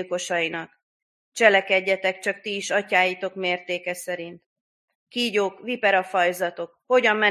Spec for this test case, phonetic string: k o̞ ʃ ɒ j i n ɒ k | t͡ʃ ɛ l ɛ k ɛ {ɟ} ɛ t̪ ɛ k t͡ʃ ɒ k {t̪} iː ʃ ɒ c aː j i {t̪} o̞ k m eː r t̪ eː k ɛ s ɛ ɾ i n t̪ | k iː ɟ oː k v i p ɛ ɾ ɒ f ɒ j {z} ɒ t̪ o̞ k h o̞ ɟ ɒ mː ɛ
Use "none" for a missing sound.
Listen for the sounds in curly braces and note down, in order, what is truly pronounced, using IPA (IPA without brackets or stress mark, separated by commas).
ɟː, t̪, t̪, z